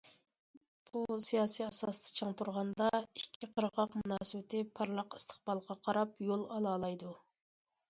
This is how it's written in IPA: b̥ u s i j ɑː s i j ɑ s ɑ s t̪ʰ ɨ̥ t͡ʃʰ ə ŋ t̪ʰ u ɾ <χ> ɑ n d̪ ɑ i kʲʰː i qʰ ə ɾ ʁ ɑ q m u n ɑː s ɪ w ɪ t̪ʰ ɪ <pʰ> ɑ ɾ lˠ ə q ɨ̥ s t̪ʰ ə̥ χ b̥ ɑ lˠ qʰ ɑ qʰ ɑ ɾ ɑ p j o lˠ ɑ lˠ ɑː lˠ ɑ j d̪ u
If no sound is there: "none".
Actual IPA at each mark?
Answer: ʁ, pʰ

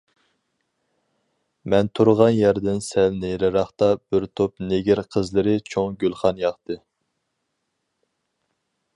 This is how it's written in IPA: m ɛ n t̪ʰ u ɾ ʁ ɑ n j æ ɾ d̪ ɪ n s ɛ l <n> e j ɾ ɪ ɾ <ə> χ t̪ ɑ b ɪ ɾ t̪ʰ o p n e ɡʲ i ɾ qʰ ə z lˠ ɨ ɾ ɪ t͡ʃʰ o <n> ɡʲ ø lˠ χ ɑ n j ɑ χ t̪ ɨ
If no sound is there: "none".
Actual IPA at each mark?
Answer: n, ɑ, ŋ

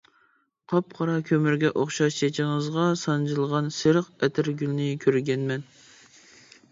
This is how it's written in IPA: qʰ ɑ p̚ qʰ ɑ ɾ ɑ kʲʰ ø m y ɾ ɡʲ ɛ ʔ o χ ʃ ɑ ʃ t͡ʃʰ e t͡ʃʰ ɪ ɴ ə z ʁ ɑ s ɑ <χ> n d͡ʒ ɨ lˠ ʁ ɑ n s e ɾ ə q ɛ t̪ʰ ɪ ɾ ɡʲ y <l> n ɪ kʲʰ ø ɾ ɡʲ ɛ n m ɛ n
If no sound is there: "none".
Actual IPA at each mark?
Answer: none, l

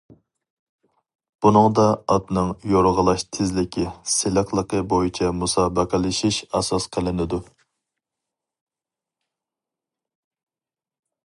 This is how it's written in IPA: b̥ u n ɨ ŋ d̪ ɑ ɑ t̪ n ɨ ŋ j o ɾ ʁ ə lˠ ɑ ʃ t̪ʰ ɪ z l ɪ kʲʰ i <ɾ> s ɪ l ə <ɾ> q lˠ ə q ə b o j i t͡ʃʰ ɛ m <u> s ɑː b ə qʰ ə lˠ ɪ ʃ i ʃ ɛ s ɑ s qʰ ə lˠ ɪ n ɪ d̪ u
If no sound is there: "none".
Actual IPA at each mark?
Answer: none, none, u

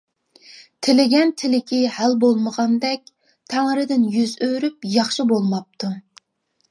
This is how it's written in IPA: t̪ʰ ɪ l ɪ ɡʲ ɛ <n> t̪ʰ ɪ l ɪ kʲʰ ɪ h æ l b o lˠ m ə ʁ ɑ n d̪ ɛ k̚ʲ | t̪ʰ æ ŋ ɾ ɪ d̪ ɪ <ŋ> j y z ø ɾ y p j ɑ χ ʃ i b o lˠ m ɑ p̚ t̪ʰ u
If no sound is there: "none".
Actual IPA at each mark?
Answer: n, n

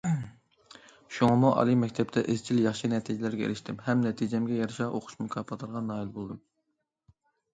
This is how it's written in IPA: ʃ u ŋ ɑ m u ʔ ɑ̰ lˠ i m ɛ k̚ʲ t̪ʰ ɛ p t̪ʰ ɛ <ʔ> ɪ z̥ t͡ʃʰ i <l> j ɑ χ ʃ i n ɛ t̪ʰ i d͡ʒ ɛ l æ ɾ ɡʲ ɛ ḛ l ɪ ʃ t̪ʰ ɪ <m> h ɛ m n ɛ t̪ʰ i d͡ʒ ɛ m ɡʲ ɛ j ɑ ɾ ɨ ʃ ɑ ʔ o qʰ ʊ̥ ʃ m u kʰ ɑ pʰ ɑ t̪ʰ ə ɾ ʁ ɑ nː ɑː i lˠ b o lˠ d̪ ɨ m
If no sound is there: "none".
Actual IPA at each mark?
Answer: ʔ, l, m

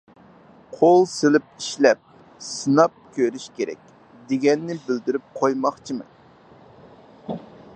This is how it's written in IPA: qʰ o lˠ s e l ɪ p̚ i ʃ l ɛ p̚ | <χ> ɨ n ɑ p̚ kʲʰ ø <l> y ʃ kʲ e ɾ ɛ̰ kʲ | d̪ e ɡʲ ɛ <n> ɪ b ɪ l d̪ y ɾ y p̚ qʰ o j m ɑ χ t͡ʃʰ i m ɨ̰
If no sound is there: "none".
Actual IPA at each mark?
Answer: s, ɾ, nː

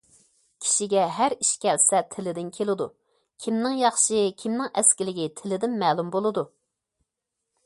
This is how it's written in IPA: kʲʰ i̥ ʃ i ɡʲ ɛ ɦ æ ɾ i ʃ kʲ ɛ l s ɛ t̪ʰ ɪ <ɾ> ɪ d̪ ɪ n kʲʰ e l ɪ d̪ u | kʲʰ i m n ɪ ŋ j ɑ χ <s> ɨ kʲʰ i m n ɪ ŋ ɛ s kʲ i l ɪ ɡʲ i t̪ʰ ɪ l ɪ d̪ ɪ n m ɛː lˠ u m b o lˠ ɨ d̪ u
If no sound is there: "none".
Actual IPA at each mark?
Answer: l, ʃ

